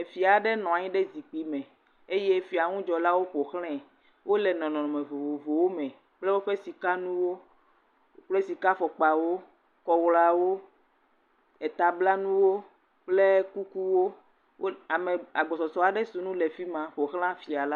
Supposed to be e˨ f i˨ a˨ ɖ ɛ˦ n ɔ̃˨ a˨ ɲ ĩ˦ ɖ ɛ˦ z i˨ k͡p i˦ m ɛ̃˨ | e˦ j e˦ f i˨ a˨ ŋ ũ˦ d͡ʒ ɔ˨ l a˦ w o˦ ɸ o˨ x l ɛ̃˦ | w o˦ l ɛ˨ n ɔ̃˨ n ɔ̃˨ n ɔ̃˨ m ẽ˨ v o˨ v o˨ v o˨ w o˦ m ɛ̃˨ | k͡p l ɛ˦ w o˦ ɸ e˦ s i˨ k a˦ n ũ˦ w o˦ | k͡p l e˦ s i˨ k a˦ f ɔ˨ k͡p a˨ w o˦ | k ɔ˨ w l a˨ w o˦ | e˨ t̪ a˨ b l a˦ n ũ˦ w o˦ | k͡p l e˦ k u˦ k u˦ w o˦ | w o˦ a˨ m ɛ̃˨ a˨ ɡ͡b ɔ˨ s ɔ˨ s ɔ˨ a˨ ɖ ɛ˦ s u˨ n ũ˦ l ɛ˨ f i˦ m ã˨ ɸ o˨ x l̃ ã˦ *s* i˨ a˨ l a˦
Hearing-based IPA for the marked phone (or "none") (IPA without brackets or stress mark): f